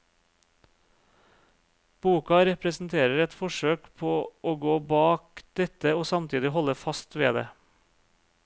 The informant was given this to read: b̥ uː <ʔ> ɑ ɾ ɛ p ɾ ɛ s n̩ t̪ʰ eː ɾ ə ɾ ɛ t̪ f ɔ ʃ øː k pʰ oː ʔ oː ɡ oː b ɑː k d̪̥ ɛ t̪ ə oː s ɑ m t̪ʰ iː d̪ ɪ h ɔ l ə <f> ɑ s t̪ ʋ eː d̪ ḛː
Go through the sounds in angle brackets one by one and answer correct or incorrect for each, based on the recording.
incorrect: k, correct

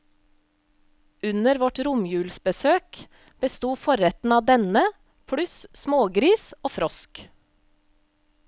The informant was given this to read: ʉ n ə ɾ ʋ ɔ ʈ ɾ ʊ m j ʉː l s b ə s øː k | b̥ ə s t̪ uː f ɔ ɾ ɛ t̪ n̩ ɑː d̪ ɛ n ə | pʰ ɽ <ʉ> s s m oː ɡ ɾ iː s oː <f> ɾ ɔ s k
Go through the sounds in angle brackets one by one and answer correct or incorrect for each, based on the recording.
correct, correct

